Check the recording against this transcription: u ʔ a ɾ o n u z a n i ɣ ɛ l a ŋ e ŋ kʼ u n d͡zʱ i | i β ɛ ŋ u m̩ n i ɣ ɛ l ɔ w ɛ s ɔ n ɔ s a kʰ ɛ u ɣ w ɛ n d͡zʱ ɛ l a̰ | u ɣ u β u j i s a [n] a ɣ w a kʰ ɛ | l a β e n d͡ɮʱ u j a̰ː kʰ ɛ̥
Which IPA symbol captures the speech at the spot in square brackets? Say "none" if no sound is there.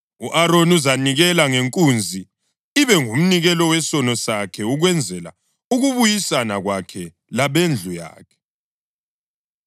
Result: n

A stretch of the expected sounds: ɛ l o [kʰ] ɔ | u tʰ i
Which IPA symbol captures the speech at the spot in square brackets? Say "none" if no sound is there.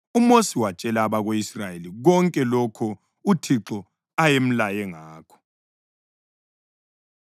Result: kʰ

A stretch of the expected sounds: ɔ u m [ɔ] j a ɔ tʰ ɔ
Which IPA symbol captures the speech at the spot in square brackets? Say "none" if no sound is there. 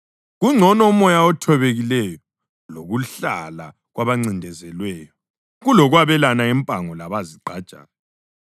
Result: ɔ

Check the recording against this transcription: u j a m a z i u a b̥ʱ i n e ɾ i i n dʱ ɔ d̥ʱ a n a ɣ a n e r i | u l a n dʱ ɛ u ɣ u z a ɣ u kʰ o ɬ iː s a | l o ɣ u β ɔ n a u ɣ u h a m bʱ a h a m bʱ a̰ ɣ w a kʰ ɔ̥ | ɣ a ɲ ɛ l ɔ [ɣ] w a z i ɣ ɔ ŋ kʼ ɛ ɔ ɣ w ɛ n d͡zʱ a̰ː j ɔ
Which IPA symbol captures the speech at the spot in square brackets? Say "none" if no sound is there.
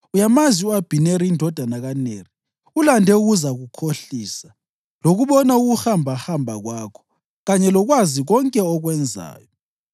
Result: ɣ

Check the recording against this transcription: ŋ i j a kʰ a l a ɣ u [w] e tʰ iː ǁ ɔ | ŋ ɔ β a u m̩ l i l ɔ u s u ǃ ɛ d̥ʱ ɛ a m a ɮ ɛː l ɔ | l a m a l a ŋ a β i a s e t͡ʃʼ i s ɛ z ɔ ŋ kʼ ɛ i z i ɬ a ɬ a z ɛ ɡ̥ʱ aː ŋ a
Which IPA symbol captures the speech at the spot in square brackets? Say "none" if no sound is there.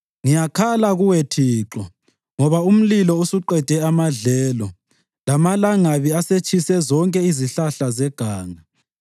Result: w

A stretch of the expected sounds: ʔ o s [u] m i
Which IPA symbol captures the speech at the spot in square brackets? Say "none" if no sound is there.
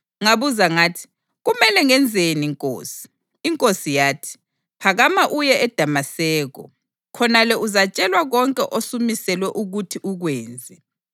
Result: u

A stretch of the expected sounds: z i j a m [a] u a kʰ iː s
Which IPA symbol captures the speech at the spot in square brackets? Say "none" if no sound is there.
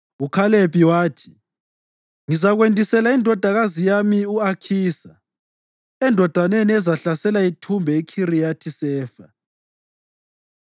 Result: i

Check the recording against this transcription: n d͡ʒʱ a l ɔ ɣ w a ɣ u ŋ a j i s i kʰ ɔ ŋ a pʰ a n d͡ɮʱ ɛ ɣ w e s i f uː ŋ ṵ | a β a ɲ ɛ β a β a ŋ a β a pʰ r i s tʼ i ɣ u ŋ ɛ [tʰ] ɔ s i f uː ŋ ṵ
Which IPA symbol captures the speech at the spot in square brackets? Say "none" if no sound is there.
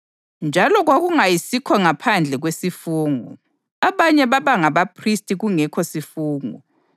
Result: kʰ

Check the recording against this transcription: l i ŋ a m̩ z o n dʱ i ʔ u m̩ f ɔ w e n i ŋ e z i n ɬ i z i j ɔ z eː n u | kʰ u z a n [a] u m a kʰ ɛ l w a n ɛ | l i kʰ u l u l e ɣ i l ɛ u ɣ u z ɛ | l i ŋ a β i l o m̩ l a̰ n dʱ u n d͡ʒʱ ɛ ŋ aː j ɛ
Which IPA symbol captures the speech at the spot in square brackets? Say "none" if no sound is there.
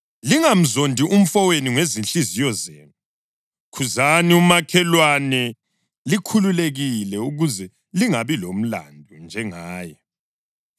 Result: i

